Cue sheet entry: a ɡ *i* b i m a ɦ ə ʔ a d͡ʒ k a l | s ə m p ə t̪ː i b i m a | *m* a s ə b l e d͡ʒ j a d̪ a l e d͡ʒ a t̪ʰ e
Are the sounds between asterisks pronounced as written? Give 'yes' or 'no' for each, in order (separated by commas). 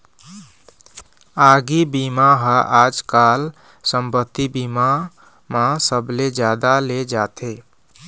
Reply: yes, yes